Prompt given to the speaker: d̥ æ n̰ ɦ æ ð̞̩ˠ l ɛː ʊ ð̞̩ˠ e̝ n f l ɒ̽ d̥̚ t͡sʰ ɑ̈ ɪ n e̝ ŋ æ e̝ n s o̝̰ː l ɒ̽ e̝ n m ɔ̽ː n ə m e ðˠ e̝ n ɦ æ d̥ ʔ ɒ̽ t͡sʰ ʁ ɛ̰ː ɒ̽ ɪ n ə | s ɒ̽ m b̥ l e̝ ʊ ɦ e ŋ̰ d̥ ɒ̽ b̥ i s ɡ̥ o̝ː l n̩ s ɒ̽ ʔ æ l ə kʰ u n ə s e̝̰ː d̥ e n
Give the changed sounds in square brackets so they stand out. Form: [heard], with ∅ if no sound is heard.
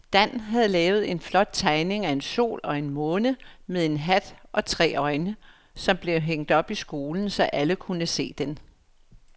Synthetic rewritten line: d̥ æ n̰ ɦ æ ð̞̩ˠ l ɛː ʊ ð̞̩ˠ e̝ n f l ɒ̽ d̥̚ t͡sʰ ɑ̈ ɪ n e̝ ŋ æ e̝ n s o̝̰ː l ɒ̽ e̝ n m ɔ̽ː n ə m e ðˠ e̝ n ɦ æ d̥ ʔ ɒ̽ t͡sʰ ʁ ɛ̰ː ɒ̽ ɪ n ə | s ɒ̽ m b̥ l e̝ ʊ ɦ e ŋ̰ d̥ ɒ̽ b̥ i s ɡ̥ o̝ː l n̩ s ɒ̽ ʔ æ l ə kʰ u n ə s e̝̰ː d̥ e n